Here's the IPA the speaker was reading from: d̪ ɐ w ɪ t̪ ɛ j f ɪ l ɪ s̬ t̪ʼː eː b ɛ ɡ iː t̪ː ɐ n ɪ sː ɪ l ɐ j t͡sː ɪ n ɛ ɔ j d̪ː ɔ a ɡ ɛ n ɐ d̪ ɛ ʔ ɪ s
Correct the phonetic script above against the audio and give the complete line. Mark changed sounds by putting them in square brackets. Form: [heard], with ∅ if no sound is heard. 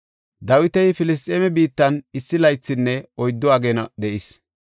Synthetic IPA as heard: d̪ ɐ w ɪ t̪ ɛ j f ɪ l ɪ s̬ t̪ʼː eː [m] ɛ [b] iː t̪ː ɐ n ɪ sː ɪ l ɐ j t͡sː ɪ [nː] ɛ ɔ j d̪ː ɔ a ɡ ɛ n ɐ d̪ ɛ ʔ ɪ s